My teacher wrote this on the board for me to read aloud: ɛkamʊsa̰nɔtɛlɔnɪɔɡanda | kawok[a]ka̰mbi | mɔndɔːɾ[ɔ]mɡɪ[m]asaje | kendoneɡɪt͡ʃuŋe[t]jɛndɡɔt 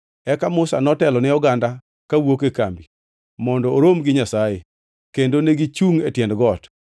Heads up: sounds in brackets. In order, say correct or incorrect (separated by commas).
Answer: incorrect, incorrect, incorrect, correct